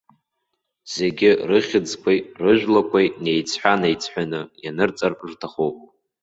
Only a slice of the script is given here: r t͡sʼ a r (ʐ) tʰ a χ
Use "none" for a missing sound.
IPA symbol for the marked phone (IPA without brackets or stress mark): ʐ